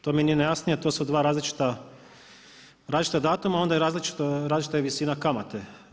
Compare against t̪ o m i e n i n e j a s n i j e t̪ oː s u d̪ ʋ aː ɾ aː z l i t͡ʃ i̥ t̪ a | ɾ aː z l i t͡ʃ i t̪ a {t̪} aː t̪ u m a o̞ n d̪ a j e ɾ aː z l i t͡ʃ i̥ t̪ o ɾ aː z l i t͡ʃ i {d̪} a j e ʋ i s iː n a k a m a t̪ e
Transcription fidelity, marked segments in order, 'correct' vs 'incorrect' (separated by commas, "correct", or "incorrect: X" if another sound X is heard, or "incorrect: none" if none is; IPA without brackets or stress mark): incorrect: d̪, incorrect: t̪